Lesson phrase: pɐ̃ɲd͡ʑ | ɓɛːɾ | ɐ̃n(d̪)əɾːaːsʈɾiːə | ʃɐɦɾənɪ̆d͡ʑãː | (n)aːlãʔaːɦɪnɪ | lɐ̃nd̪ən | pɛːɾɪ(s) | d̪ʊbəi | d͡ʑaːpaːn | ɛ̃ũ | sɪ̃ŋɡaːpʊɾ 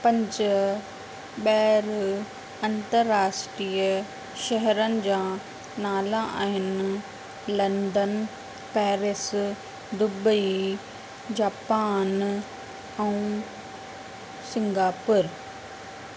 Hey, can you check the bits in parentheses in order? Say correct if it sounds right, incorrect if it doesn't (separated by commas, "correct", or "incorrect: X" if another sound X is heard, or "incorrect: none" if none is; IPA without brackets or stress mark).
incorrect: t̪, correct, correct